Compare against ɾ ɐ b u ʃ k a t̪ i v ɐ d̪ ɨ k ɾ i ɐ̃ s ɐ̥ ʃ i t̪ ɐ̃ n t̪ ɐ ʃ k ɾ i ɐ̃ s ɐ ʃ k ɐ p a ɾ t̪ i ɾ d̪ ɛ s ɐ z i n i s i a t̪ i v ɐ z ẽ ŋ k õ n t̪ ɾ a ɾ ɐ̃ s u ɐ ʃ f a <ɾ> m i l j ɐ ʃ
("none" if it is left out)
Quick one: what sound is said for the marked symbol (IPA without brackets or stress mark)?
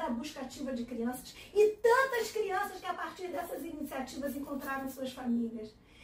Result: none